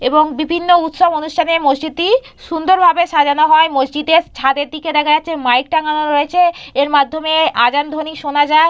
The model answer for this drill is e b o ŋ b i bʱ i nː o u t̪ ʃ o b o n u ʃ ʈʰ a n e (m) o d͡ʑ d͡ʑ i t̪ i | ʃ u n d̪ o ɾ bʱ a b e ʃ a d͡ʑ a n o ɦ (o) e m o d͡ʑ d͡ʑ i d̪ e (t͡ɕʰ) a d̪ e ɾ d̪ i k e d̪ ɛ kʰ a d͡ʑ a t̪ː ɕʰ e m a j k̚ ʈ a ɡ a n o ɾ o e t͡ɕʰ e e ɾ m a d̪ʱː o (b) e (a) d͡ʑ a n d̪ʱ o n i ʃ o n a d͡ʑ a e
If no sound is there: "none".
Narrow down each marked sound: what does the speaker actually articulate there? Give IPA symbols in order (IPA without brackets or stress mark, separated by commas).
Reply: m, ɔ, t͡ɕʰ, m, a